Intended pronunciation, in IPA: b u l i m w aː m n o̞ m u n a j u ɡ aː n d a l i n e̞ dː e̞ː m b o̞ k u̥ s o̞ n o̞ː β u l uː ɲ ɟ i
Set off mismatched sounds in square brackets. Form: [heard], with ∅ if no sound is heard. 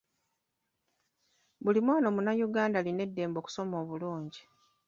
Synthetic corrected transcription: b u l i m w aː [∅] n o̞ m u n a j u ɡ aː n d a l i n e̞ dː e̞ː m b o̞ k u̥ s o̞ [m] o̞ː β u l uː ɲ ɟ i